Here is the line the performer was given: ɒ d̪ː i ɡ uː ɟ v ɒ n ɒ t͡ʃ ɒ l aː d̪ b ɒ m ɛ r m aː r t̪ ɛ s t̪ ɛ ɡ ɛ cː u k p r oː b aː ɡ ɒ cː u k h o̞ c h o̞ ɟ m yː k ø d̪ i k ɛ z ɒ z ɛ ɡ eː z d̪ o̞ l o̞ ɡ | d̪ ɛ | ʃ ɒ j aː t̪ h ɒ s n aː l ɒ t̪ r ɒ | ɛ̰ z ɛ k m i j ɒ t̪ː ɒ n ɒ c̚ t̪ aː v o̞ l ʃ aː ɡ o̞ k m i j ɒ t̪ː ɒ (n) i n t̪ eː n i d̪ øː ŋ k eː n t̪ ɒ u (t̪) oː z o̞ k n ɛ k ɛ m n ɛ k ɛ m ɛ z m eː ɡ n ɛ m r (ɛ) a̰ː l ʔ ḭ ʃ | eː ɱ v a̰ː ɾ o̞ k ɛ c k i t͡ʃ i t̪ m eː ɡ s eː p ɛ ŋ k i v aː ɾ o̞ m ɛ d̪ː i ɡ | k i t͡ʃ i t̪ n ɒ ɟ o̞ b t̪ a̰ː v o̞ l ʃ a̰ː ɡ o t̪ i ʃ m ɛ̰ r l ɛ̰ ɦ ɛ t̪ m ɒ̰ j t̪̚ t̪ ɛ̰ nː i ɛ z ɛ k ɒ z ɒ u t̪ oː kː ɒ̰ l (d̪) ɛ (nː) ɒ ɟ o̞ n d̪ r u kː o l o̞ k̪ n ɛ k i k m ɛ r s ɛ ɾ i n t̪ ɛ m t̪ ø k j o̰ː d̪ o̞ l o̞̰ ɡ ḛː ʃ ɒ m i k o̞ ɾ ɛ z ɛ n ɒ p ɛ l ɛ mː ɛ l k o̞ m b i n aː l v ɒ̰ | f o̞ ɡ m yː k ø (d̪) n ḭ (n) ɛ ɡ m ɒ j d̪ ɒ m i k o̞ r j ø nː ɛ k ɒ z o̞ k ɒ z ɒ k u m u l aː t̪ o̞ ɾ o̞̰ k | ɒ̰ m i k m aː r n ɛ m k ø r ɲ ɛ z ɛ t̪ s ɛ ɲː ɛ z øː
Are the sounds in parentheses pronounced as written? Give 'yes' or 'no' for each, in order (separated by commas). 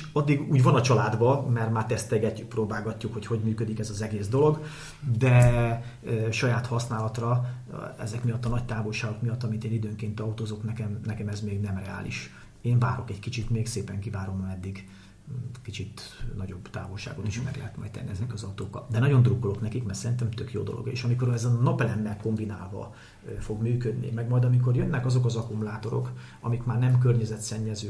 no, yes, yes, yes, no, yes, no